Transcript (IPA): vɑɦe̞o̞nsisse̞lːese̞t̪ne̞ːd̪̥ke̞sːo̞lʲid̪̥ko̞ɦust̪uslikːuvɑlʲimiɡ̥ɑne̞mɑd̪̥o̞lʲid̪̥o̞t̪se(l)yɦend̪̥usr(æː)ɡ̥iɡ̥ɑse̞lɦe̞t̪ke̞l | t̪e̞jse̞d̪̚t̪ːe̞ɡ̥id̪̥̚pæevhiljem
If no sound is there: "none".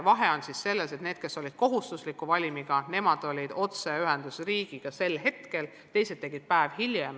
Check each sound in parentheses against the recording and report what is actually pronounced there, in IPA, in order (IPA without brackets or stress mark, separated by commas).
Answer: none, iː